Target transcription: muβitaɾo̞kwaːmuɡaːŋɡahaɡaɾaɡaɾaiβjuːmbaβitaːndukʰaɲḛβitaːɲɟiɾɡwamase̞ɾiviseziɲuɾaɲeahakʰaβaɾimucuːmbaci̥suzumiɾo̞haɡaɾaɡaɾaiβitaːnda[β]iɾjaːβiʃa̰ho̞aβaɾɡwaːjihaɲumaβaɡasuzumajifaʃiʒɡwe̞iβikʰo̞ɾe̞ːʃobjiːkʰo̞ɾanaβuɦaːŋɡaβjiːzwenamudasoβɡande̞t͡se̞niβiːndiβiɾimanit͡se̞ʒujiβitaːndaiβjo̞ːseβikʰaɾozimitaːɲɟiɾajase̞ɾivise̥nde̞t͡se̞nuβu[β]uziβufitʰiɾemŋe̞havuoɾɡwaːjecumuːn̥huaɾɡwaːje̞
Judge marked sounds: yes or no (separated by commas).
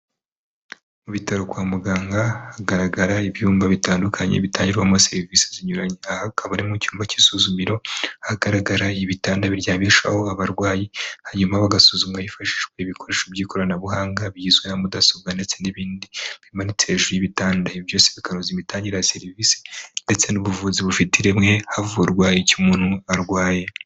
yes, no